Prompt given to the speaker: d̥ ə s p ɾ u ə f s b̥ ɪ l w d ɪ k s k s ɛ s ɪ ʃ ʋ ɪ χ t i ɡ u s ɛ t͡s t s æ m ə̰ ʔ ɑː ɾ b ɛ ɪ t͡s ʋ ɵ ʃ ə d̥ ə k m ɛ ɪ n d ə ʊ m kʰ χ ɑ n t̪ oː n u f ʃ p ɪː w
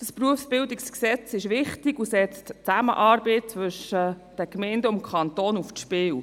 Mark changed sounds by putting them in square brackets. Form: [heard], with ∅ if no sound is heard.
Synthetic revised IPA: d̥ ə s p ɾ u ə f s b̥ ɪ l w d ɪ k s k s ɛ [t͡s] ɪ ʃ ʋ ɪ χ t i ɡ u s ɛ t͡s t [t͡s] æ m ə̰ ʔ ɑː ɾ b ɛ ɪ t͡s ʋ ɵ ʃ ə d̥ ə k m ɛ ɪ n d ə ʊ m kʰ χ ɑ n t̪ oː n u f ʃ p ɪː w